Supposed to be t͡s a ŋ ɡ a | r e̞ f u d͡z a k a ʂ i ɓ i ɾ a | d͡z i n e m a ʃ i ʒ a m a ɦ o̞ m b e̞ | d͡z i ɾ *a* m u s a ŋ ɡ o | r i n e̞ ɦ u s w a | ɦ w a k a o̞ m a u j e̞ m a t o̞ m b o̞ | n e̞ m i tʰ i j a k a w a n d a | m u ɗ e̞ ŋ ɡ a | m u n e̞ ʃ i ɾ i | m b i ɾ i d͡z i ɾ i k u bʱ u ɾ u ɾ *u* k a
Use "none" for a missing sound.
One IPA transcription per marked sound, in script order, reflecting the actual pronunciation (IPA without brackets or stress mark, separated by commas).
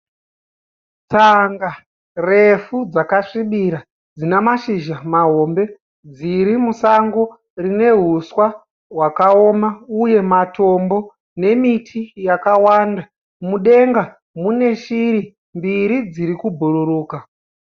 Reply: i, uː